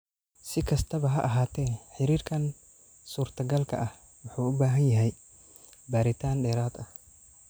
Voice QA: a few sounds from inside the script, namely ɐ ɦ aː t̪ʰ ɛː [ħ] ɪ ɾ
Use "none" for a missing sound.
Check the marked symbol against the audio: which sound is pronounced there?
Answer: ħ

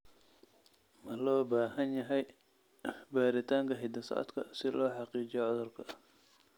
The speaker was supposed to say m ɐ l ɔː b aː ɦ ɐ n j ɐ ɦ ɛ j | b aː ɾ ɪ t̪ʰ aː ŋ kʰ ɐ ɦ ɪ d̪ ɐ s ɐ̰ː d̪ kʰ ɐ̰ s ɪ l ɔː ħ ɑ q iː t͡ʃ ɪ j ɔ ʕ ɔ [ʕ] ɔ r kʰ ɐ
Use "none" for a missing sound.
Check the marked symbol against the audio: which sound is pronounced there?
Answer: ð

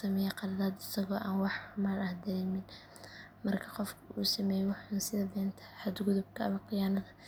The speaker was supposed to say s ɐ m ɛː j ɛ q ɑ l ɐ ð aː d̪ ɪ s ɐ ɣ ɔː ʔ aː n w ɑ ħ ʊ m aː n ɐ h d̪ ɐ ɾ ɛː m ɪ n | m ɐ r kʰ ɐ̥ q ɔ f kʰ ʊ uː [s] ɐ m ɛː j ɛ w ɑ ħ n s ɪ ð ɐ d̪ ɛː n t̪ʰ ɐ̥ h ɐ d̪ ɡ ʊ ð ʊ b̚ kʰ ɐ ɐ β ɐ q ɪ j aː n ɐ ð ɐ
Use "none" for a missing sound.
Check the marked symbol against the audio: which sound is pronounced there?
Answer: s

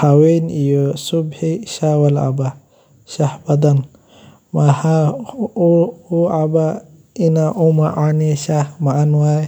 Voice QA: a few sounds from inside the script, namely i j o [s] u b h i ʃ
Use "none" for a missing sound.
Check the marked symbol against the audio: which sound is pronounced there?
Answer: s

